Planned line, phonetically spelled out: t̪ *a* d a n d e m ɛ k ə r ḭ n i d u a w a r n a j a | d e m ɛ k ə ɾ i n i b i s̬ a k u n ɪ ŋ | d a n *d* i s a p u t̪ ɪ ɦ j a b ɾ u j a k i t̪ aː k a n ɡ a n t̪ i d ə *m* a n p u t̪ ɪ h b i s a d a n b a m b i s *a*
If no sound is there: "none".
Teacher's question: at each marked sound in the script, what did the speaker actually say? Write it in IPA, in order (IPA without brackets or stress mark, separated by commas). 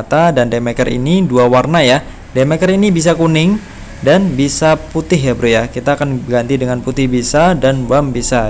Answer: a, b, ŋ, a